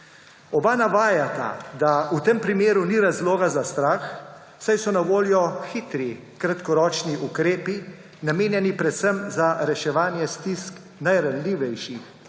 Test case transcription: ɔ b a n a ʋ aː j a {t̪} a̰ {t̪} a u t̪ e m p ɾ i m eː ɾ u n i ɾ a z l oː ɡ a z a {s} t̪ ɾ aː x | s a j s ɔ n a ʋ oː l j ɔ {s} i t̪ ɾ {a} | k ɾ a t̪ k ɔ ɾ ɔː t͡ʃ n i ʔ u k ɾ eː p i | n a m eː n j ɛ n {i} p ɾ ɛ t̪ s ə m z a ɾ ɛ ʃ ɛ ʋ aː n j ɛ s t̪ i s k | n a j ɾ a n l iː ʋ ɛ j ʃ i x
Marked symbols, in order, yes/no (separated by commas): yes, no, yes, no, no, yes